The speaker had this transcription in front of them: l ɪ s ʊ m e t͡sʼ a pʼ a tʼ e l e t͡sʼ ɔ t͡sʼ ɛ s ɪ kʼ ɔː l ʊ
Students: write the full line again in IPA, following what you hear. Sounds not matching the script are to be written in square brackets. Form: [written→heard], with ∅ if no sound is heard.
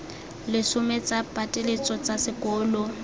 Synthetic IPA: l ɪ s ʊ m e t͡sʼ a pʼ a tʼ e l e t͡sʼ ɔ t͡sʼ [ɛ→a] s ɪ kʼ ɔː l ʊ